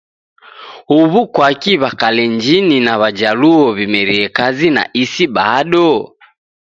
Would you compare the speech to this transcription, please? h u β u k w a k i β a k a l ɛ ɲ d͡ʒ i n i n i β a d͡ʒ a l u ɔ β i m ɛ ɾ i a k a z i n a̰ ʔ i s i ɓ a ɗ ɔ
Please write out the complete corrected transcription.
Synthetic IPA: h u β u k w a k i β a k a l ɛ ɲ d͡ʒ i n i n a β a d͡ʒ a l u ɔ β i m ɛ ɾ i ɛ k a z i n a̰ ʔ i s i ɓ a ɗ ɔ